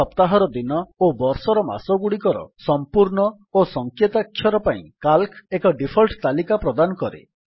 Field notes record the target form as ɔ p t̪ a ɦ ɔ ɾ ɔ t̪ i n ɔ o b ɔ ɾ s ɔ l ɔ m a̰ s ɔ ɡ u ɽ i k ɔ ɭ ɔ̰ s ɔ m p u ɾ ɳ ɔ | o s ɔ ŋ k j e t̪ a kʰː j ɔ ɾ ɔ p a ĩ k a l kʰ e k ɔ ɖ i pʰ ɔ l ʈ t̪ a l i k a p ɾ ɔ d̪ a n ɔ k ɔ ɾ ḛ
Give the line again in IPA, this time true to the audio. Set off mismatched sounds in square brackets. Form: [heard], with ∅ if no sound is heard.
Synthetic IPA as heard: ɔ p t̪ a ɦ ɔ ɾ ɔ [d̪] i n ɔ o b ɔ ɾ s ɔ [ɾ] ɔ m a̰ s ɔ ɡ u ɽ i k ɔ [ɾ] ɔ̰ s ɔ m p u ɾ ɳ ɔ | o s ɔ ŋ k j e t̪ a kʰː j ɔ ɾ ɔ p a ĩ k a l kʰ e k ɔ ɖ i pʰ ɔ l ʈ t̪ a l i k a p ɾ ɔ d̪ a n ɔ k ɔ ɾ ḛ